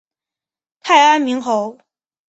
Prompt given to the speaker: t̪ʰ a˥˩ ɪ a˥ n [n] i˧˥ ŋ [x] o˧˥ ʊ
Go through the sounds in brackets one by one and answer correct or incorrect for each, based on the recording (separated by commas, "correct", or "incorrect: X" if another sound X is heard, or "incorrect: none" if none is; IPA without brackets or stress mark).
incorrect: m, correct